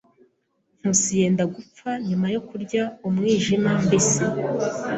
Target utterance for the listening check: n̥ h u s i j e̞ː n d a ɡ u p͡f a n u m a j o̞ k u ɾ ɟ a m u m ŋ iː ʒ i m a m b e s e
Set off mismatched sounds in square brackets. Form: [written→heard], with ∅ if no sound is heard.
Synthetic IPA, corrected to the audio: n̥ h u s i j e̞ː n d a ɡ u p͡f a [n→ɲ] u m a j o̞ k u ɾ ɟ a [m→∅] u m ŋ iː ʒ i m a m b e s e